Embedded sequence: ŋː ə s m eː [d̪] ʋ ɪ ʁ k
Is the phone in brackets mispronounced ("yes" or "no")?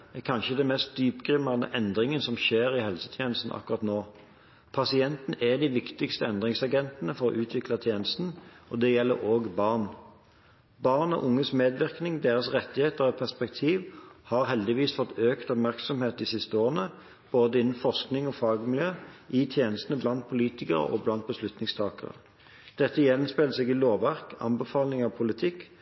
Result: no